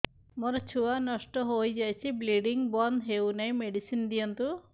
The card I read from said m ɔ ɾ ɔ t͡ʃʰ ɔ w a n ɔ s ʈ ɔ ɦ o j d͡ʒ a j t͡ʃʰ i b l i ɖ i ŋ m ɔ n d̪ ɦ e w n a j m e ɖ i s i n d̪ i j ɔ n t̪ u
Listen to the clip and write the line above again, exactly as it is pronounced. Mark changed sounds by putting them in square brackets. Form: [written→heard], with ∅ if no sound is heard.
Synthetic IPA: m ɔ ɾ ɔ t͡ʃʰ [ɔ→u] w a n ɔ s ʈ ɔ ɦ o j d͡ʒ a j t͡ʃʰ i b l i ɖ i ŋ [m→b] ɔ n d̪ ɦ e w n a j m e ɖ i s i n d̪ i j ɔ n t̪ u